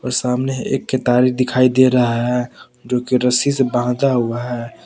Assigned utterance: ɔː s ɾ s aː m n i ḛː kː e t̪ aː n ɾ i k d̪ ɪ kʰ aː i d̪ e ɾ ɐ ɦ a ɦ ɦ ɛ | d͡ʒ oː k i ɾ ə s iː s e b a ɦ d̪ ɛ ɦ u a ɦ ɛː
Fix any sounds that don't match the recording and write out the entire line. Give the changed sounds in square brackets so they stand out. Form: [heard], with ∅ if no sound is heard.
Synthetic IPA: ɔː [∅] ɾ s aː m n [e] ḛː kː e t̪ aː [∅] ɾ i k d̪ ɪ kʰ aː i d̪ e ɾ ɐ ɦ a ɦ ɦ ɛ | d͡ʒ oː k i ɾ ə s [i] s e b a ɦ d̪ [a] ɦ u a ɦ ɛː